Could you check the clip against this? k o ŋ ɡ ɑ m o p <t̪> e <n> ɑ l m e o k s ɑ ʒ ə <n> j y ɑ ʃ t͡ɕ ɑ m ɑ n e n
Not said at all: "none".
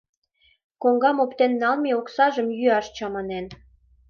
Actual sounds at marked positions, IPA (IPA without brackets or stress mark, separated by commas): t̪, nː, m